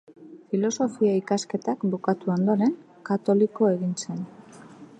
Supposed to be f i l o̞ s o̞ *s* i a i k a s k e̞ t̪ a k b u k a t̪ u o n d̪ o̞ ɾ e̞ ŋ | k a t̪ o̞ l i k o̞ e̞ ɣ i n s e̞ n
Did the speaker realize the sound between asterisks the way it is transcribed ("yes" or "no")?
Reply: no